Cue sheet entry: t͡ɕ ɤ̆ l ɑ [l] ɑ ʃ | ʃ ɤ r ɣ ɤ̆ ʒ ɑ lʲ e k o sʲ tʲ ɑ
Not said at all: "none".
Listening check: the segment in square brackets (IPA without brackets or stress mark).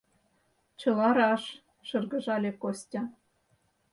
ɾ